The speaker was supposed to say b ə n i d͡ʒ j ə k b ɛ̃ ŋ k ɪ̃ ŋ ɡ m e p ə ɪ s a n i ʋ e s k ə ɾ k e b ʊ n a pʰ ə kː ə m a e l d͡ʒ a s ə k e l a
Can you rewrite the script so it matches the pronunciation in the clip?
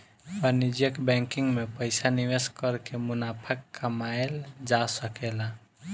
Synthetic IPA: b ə n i d͡ʒ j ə k b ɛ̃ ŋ k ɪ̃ ŋ ɡ m e p ə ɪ s a n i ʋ e s k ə ɾ k e m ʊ n a pʰ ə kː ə m a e l d͡ʒ a s ə k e l a